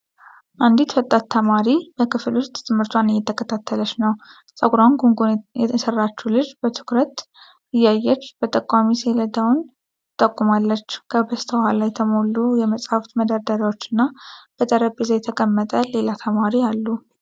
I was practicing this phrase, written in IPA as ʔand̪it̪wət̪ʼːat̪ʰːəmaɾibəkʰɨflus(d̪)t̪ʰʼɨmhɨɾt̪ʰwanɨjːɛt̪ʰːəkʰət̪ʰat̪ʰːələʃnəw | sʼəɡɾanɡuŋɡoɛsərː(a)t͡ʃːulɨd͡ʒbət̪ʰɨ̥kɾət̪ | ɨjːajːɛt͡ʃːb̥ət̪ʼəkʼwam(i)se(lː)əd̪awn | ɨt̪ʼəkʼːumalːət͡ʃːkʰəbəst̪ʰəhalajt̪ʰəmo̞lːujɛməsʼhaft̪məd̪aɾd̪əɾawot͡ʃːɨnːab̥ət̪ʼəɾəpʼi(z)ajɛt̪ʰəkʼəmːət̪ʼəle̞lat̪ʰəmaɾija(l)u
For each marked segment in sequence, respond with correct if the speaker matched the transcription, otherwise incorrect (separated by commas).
incorrect, correct, correct, incorrect, correct, incorrect